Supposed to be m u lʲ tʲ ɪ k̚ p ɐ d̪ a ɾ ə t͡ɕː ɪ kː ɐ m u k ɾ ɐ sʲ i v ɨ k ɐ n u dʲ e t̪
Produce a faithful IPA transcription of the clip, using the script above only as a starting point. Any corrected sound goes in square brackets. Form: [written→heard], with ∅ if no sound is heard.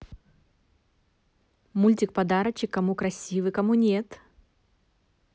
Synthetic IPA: m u lʲ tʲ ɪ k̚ p ɐ d̪ a ɾ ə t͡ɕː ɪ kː ɐ m u k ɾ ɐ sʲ i v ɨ k ɐ [n→m] u [dʲ→nʲ] e t̪